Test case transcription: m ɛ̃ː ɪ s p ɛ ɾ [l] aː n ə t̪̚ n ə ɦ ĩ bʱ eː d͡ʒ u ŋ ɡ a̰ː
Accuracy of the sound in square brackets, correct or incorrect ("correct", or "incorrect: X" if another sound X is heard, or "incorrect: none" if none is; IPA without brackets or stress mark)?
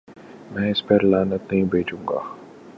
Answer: correct